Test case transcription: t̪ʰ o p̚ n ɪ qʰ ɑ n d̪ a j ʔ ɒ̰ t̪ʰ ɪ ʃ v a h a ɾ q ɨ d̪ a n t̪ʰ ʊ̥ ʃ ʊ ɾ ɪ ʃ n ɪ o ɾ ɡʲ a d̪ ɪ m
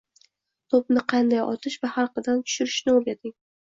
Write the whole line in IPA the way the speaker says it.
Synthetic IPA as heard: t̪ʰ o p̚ n ɪ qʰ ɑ n d̪ a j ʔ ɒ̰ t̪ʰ ɪ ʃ v a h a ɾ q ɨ d̪ a n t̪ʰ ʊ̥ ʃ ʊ ɾ ɪ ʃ n ɪ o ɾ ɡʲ a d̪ ɪ ŋ